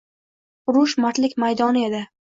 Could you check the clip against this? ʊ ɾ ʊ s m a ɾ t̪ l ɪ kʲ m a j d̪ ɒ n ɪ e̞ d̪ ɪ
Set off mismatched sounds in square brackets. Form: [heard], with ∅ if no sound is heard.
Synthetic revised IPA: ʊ ɾ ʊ [ʃ] m a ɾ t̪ l ɪ kʲ m a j d̪ ɒ n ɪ e̞ d̪ ɪ